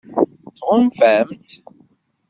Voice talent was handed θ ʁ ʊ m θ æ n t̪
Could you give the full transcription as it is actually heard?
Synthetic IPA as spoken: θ ʁ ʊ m f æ m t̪